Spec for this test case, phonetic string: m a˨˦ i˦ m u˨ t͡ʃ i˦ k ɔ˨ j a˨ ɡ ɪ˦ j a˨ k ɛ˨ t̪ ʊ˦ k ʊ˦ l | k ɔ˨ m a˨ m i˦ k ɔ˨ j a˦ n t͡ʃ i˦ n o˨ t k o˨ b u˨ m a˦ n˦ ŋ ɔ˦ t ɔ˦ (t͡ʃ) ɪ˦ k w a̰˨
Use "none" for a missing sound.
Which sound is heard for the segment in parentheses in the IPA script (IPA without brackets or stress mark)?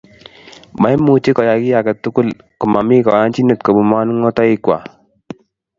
none